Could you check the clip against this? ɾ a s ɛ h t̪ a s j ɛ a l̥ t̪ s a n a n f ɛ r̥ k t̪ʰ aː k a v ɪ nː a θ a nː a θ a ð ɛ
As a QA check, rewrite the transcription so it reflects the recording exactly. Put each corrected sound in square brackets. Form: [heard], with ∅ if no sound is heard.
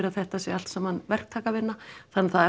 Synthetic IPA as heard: ɾ a [θ] ɛ h t̪ a s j ɛ a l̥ t̪ s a [m] a n [v] ɛ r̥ k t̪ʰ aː k a v ɪ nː a θ a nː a θ a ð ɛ